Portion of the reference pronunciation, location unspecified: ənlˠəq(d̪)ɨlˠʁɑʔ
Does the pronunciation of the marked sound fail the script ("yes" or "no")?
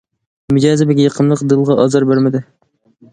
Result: no